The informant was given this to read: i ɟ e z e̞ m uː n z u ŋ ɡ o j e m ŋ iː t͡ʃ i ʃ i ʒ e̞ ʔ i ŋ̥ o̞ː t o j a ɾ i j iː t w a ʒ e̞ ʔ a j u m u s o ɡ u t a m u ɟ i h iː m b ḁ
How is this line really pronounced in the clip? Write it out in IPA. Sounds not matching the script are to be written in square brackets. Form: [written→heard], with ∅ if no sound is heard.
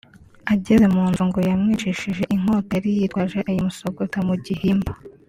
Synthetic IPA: [i→a] ɟ e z e̞ m uː n z u ŋ ɡ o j [e→a] m ŋ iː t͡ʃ i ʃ i ʒ e̞ ʔ i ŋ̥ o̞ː t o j a ɾ i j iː t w a ʒ e̞ ʔ a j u m u s o ɡ [u→o] t a m u ɟ i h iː m b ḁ